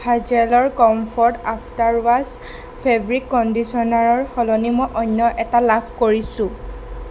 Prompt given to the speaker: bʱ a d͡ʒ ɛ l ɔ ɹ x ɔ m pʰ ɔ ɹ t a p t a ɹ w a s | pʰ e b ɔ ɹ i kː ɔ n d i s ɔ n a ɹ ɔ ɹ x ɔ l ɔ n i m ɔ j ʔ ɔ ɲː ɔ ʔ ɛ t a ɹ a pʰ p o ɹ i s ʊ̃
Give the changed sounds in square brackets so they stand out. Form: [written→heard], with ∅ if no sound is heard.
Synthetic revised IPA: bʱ a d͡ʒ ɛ l ɔ ɹ [x→k] ɔ m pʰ ɔ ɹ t a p t a ɹ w a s | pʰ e b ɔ ɹ i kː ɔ n d i s ɔ n a ɹ ɔ ɹ x ɔ l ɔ n i m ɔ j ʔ ɔ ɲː ɔ ʔ ɛ t a [ɹ→l] a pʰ [p→k] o ɹ i s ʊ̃